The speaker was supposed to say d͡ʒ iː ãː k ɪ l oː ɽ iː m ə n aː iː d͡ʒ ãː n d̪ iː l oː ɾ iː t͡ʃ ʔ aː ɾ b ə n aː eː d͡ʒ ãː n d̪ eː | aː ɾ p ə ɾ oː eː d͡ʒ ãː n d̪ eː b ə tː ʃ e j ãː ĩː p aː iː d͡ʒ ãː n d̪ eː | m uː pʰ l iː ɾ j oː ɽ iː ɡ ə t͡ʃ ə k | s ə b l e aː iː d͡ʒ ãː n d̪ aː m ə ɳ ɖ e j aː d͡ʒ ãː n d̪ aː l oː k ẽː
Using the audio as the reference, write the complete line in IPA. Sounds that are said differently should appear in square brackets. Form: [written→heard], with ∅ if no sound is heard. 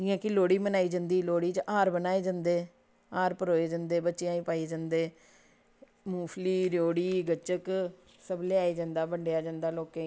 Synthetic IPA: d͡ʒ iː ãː k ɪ l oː ɽ iː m ə n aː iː d͡ʒ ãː n d̪ iː l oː [ɾ→ɽ] iː t͡ʃ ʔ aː ɾ b ə n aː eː d͡ʒ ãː n d̪ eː | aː ɾ p ə ɾ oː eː d͡ʒ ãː n d̪ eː b ə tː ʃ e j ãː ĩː p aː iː d͡ʒ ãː n d̪ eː | m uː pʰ l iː ɾ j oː ɽ iː ɡ ə t͡ʃ ə k | s ə b l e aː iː d͡ʒ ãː n d̪ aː [m→b] ə ɳ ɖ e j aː d͡ʒ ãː n d̪ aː l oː k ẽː